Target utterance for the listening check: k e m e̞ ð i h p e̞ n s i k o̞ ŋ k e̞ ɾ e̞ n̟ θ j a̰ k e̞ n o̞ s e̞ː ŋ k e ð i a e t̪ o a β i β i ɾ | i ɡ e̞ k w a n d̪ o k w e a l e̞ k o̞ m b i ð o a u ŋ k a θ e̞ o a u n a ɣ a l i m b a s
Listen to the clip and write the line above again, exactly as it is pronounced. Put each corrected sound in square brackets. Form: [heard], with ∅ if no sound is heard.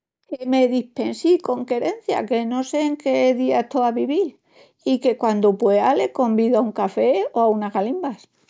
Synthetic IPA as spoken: k e m e̞ ð i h p e̞ n s i k o̞ ŋ k e̞ ɾ e̞ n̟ θ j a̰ k e̞ n o̞ s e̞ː ŋ k e ð i a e t̪ o a β i β i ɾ | i [k] e̞ k w a n d̪ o [p] w e a l e̞ k o̞ m b i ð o a u ŋ k a [f] e̞ o a u n a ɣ a l i m b a s